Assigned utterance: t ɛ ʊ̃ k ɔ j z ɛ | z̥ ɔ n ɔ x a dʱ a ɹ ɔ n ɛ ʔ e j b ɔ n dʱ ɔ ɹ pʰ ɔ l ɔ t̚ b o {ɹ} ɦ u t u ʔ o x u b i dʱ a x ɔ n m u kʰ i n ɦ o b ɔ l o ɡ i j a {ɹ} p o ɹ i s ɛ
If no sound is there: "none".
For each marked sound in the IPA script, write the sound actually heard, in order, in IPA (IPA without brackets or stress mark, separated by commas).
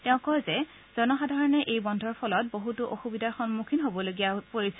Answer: none, none